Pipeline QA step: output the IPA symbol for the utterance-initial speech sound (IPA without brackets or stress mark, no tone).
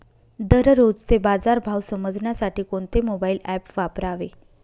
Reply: d̪